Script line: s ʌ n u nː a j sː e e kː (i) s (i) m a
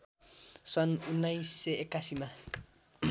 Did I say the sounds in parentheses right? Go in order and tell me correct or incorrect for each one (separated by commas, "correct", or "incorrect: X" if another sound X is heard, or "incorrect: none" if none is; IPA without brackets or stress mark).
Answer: incorrect: a, correct